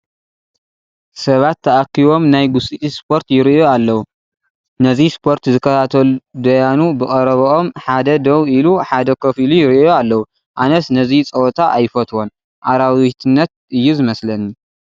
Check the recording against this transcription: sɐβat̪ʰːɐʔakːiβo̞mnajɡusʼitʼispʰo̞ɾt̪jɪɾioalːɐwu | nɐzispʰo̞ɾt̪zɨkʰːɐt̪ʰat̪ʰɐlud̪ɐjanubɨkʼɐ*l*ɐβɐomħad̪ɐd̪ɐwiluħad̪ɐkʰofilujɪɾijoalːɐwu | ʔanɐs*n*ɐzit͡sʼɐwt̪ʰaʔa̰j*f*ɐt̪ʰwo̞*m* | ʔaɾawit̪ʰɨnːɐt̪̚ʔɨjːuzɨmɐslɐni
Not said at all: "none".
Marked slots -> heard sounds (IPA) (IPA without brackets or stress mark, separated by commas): ɾ, n, f, n